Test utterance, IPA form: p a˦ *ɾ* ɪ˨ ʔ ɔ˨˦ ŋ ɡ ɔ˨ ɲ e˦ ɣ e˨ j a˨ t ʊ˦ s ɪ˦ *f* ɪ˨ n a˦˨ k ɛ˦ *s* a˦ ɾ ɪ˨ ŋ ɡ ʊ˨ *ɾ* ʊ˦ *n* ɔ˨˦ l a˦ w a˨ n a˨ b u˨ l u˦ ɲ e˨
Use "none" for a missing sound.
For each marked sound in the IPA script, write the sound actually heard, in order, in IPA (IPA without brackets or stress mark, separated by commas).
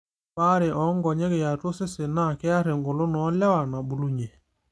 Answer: ɾ, s, none, l, n